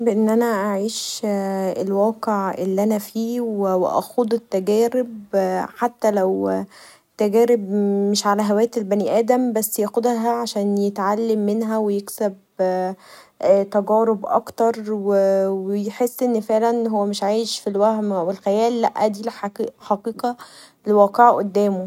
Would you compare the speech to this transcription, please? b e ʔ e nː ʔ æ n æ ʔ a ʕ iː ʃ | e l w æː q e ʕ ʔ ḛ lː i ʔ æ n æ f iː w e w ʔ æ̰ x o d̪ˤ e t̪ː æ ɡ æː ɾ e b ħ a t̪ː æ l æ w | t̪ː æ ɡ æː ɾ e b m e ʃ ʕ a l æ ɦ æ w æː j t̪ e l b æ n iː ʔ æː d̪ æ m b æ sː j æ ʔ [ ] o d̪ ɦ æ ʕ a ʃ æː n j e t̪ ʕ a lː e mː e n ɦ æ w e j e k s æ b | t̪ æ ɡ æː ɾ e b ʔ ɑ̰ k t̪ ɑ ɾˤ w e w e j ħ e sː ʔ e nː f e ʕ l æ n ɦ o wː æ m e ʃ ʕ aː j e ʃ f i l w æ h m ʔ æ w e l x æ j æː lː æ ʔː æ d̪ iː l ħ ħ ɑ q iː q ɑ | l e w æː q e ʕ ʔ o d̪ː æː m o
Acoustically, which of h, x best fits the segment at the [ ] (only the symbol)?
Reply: x